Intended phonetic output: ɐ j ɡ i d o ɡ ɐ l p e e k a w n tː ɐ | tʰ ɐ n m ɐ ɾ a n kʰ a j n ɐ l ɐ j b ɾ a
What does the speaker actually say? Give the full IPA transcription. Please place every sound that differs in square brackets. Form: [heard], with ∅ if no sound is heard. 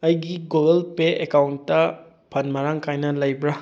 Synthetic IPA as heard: ɐ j ɡ i [ɡ] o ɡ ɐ l p e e k a w n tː ɐ | [pʰ] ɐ n m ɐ ɾ a [ŋ] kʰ a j n ɐ l ɐ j b ɾ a